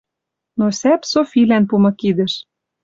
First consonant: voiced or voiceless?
voiced